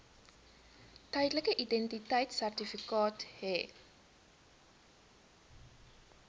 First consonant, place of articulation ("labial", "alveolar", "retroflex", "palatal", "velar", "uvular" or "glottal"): alveolar